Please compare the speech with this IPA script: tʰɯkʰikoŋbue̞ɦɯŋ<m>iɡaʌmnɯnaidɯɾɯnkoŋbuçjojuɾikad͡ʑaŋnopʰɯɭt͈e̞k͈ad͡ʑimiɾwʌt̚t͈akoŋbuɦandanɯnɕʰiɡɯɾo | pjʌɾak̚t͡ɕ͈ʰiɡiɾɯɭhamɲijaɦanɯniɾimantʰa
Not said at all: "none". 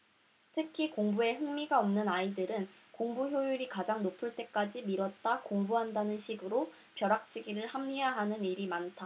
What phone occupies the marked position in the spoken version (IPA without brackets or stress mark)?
m